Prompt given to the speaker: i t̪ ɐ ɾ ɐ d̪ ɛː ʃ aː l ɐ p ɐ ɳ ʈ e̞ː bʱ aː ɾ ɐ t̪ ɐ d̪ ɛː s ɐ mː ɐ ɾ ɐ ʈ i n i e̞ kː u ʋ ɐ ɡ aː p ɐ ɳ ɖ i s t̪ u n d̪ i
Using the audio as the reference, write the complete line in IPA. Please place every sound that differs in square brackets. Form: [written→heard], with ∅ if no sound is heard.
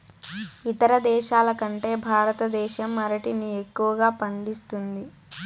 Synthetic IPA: i t̪ ɐ ɾ ɐ d̪ ɛː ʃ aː l ɐ [p→k] ɐ ɳ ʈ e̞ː bʱ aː ɾ ɐ t̪ ɐ d̪ ɛː [s→ʃ] ɐ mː ɐ ɾ ɐ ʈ i n i e̞ kː u ʋ ɐ ɡ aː p ɐ ɳ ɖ i s t̪ u n d̪ i